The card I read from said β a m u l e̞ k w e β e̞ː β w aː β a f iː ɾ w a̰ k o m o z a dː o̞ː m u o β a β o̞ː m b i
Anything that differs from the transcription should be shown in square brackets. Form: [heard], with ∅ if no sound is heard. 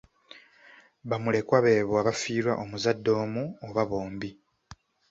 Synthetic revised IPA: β a m u l e̞ k w [a] β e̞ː β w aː β a f iː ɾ w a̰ [ʔ] o m [u] z a dː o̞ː m u o β a β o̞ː m b i